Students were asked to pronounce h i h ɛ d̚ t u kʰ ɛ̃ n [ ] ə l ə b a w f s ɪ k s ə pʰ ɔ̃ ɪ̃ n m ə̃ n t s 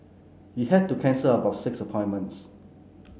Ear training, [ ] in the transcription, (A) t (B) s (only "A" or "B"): B